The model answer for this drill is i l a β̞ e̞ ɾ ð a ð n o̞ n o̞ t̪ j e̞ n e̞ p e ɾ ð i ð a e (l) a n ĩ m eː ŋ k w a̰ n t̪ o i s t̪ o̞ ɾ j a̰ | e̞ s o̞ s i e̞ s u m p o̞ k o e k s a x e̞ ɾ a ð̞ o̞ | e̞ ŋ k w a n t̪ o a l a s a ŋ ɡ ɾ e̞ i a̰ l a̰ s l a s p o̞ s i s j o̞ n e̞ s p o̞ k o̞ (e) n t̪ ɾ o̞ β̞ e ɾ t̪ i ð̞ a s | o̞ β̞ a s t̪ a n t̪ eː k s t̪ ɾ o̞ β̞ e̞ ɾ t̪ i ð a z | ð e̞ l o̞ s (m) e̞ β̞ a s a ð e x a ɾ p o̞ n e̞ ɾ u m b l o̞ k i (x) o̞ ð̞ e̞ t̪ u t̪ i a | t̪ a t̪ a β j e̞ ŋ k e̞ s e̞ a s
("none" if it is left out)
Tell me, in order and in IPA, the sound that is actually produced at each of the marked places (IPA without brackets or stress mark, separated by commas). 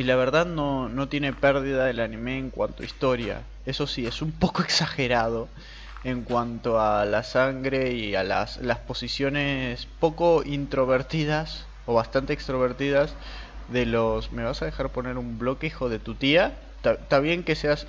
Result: l, i, m, x